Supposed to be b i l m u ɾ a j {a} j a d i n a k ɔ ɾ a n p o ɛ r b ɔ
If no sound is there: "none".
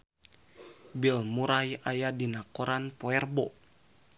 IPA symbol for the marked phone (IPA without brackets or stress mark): a